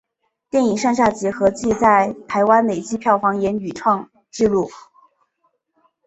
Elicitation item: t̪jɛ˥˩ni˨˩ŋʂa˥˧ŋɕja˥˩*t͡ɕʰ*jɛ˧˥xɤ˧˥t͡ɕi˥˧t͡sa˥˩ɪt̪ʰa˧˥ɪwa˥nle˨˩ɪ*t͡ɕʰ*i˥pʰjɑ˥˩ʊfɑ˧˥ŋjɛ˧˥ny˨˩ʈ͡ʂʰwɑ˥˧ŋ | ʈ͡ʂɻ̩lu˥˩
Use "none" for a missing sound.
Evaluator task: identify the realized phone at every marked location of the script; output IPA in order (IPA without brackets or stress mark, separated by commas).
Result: t͡ɕ, t͡ɕ